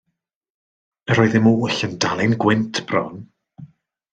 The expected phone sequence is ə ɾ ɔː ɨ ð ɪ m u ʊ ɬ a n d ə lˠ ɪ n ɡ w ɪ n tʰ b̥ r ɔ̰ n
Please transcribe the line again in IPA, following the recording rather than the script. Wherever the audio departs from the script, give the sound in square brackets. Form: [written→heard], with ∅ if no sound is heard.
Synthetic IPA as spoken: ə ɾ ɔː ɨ ð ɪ m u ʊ ɬ [a→ə] n d [ə→a] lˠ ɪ n ɡ w ɪ n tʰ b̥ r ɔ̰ n